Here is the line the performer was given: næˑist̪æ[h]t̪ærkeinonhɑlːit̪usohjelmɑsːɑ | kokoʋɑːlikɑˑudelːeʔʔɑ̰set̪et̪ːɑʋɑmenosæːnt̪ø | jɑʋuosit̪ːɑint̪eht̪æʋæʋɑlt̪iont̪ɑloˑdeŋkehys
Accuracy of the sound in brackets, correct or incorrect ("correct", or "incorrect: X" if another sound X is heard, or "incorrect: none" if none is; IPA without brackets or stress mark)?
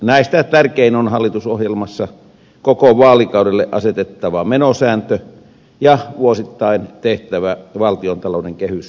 incorrect: none